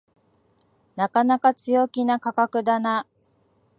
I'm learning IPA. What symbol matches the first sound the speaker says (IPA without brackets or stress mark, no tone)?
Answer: n